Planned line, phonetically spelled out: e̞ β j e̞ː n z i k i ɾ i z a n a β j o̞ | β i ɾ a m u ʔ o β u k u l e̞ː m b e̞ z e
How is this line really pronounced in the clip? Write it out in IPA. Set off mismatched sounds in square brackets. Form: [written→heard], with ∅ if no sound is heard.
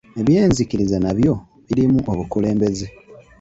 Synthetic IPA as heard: e̞ β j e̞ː n z i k i ɾ i z a n a β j o̞ | β i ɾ [a→i] m u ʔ o β u k u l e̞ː m b e̞ z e